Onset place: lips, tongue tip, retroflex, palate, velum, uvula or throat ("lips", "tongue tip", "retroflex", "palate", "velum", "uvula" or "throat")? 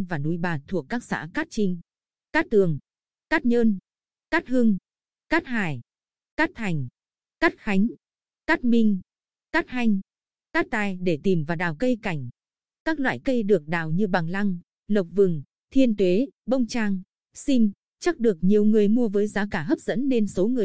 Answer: lips